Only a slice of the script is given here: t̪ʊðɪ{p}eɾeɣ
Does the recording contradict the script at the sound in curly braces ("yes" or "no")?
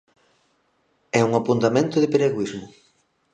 no